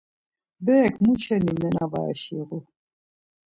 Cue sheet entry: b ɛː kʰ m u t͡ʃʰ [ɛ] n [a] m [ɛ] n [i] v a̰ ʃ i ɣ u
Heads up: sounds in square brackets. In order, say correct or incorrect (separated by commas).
correct, incorrect, correct, incorrect